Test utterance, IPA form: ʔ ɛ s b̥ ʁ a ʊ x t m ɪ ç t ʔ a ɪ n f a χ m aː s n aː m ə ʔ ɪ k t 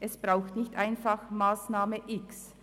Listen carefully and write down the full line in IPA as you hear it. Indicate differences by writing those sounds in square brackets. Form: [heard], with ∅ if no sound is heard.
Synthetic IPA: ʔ ɛ s b̥ ʁ a ʊ x t [n] ɪ ç t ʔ a ɪ n f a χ m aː s n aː m ə ʔ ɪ k [s]